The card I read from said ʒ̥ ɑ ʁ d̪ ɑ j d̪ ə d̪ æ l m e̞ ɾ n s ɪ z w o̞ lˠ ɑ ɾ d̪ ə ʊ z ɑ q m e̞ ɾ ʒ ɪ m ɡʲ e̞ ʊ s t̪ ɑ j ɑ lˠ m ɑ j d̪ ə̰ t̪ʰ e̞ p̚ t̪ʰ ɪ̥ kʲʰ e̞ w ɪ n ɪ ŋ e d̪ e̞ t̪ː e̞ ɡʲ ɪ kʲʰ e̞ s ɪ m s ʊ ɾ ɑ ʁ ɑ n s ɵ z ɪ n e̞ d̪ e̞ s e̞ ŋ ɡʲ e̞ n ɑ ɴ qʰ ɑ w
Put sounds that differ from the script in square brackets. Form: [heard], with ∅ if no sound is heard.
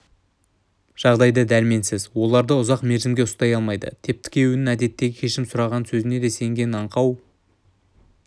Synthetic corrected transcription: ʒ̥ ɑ ʁ d̪ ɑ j d̪ ə d̪ æ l m e̞ [∅] n s ɪ z w o̞ lˠ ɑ ɾ d̪ ə ʊ z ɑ q m e̞ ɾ ʒ ɪ m ɡʲ e̞ ʊ s t̪ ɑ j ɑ lˠ m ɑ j d̪ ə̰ t̪ʰ e̞ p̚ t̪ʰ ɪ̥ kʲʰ e̞ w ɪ n ɪ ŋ [æ] d̪ e̞ t̪ː e̞ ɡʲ ɪ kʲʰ e̞ [ʃ] ɪ m s ʊ ɾ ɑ ʁ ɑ n s ɵ z ɪ n e̞ d̪ e̞ s e̞ ŋ ɡʲ e̞ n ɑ ɴ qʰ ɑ w